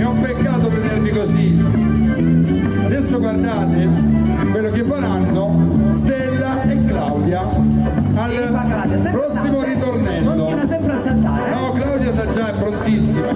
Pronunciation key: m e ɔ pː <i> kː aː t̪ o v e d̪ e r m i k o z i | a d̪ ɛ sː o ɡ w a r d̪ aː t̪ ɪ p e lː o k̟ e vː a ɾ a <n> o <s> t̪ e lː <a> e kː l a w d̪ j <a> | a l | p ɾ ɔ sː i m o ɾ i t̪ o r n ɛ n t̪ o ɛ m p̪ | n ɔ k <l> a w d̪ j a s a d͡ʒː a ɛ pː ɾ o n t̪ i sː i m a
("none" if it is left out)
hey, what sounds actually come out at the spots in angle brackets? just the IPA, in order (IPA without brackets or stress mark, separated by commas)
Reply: e, nː, s, a, a, l